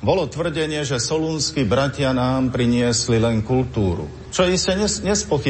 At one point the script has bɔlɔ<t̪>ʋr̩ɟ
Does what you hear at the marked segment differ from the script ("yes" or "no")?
no